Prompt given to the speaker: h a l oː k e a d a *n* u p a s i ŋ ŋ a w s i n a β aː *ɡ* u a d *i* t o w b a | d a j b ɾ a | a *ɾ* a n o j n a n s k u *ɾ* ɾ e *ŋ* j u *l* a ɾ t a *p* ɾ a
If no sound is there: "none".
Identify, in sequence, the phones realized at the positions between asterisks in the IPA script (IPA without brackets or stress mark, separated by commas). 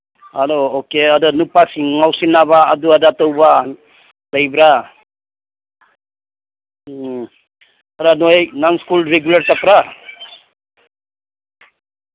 n, d, a, ɾ, l, ɡ, l, p